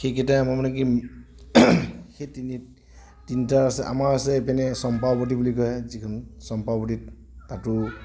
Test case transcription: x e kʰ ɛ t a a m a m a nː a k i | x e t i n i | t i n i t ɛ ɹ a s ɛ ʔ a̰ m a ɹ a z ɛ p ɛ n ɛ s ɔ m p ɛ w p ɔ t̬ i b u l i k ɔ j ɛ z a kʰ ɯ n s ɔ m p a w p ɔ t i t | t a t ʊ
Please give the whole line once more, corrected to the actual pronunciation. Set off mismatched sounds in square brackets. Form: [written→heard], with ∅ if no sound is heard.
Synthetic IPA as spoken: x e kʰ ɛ t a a m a m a [nː→n] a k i | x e t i n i | t i n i t [ɛ→a] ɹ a s ɛ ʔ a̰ m a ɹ a [z→s] ɛ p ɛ n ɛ s ɔ m p [ɛ→a] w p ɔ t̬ i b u l i k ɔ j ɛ z [a→i] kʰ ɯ n s ɔ m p a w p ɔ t i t | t a t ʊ